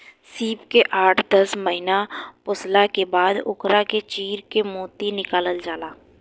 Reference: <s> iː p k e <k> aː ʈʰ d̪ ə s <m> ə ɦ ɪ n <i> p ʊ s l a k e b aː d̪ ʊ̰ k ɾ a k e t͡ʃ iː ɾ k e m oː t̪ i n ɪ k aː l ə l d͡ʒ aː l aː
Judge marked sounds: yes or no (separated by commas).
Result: yes, no, yes, no